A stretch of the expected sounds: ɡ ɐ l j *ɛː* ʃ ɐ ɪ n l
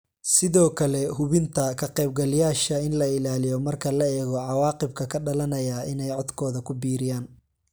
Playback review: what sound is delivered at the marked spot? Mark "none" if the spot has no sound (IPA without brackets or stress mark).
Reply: aː